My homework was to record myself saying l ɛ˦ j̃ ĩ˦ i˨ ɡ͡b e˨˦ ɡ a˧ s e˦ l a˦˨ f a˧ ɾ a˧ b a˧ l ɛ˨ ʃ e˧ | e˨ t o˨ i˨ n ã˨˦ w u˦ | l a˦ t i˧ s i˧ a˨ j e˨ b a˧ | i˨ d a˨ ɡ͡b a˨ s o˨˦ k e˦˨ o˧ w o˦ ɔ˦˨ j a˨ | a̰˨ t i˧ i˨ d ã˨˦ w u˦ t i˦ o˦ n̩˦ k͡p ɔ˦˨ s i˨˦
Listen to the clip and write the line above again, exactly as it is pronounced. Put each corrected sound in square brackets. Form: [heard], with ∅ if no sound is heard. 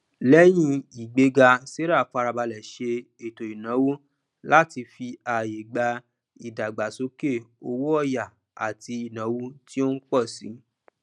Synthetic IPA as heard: l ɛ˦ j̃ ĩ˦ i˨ ɡ͡b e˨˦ ɡ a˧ s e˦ [ɾ] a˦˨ f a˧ ɾ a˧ b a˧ l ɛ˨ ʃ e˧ | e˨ t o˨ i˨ n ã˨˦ w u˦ | l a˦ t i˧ [f] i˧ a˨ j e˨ [ɡ͡b] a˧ | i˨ d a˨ ɡ͡b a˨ s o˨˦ k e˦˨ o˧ w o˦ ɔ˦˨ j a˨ | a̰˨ t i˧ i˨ [n] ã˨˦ w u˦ t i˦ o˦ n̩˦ k͡p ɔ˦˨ s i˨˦